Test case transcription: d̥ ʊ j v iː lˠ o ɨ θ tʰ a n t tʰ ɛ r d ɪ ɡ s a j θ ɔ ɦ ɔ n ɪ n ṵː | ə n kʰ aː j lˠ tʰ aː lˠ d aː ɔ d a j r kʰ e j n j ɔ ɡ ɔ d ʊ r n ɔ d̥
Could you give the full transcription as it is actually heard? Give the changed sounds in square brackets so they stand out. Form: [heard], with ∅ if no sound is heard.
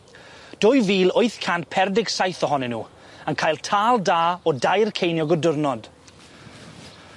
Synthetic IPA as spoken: d̥ ʊ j v iː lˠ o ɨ θ [kʰ] a n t [pʰ] ɛ r d ɪ ɡ s a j θ ɔ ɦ ɔ n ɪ n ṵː | ə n kʰ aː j lˠ tʰ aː lˠ d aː ɔ d a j r kʰ e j n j ɔ ɡ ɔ d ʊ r n ɔ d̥